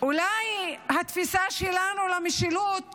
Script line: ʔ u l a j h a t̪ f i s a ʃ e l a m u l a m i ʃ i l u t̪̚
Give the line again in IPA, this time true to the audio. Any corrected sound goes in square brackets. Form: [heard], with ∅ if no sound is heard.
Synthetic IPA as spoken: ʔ u l a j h a t̪ f i s a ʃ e l a [n] u l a m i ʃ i l u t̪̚